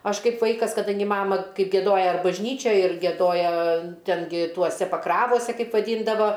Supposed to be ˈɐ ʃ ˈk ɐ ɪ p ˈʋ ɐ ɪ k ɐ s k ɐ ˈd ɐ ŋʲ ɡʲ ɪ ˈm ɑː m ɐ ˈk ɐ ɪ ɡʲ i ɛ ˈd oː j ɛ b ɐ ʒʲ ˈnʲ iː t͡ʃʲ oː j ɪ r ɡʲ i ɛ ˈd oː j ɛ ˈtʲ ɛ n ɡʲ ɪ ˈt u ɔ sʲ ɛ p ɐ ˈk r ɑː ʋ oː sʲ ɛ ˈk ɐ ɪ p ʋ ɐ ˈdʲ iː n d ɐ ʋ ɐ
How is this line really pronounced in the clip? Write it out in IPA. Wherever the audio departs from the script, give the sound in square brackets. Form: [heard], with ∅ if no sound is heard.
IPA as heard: ˈɐ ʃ ˈk ɐ ɪ p ˈʋ ɐ ɪ k ɐ s k ɐ ˈd ɐ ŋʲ ɡʲ ɪ ˈm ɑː m ɐ ˈk ɐ ɪ ɡʲ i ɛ ˈd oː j ɛ b ɐ ʒʲ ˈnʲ iː t͡ʃʲ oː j ɪ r ɡʲ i ɛ ˈd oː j ɛ ˈtʲ ɛ n ɡʲ ɪ ˈt u ɔ sʲ ɛ p ɐ ˈk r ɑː ʋ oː sʲ ɛ ˈk ɐ ɪ p ʋ ɐ ˈdʲ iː n d ɐ ʋ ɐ